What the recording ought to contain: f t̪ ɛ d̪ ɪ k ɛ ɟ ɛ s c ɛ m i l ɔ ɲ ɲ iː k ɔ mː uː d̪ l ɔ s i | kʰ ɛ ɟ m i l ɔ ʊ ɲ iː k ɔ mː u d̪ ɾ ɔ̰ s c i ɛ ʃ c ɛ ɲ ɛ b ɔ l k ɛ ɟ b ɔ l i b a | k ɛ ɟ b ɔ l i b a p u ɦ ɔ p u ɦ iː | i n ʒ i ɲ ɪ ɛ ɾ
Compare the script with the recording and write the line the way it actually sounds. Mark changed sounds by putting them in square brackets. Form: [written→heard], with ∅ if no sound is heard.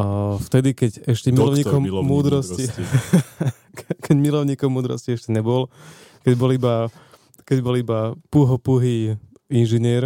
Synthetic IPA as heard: f t̪ ɛ d̪ [ɪ→i] k ɛ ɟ ɛ [s→ʃ] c ɛ m i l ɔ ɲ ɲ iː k ɔ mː uː d̪ [l→ɾ] ɔ s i | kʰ ɛ ɟ m i l ɔ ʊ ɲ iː k ɔ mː [u→uː] d̪ ɾ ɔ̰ s c i ɛ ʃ c ɛ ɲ ɛ b ɔ l k ɛ ɟ b ɔ l i b a | k ɛ ɟ b ɔ l i b a p u ɦ ɔ p u ɦ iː | i n ʒ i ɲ ɪ ɛ ɾ